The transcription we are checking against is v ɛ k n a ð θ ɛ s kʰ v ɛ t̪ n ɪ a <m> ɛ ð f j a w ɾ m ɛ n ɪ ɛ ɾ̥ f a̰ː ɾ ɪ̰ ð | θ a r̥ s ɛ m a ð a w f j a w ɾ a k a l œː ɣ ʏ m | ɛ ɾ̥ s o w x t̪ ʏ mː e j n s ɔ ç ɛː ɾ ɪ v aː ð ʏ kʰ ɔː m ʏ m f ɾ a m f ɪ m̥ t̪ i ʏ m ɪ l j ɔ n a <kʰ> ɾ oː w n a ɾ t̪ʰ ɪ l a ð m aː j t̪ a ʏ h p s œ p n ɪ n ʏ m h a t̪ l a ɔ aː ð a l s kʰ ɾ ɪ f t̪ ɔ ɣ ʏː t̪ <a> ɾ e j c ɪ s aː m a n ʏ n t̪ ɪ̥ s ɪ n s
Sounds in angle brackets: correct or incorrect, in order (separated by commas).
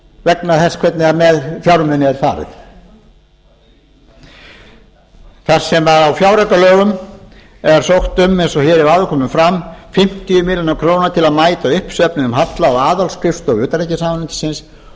correct, correct, correct